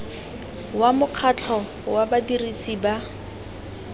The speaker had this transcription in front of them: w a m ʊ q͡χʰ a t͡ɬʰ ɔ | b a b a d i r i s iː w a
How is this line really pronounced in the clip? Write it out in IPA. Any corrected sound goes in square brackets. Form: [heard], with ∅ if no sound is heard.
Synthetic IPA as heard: w a m ʊ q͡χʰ a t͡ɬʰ ɔ | [w] a b a d i r i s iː [b] a